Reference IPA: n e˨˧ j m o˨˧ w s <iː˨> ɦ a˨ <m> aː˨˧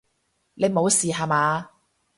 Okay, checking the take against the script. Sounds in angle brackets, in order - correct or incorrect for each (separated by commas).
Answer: correct, correct